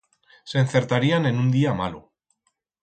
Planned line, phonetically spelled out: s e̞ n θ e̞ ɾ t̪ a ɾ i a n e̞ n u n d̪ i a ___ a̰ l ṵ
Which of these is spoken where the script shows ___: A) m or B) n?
A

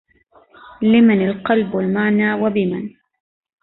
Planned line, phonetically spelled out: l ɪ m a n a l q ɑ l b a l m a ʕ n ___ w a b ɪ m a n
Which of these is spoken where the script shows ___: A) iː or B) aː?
B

